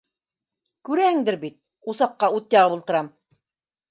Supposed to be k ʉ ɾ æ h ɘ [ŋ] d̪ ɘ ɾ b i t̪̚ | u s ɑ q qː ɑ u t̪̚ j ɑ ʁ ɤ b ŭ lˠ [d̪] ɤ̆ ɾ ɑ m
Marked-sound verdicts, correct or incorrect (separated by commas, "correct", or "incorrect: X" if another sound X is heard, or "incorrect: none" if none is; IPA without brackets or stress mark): correct, incorrect: t̪